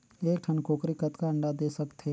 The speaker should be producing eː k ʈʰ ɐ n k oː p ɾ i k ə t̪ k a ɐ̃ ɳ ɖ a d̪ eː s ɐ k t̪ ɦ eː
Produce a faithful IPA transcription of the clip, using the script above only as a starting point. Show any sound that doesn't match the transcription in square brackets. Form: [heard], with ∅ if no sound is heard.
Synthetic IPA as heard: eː k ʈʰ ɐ n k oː [k] ɾ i k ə t̪ k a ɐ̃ ɳ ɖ a d̪ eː s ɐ k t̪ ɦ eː